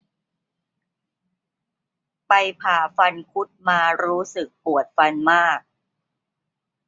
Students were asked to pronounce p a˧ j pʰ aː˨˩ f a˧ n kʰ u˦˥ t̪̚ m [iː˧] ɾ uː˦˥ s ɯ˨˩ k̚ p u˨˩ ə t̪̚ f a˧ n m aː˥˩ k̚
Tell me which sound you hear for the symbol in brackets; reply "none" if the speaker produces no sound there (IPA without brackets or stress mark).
aː˧